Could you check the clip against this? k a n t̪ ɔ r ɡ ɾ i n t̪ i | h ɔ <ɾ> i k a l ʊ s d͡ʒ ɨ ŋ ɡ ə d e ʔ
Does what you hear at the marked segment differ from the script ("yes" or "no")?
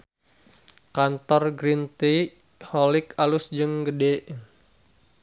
yes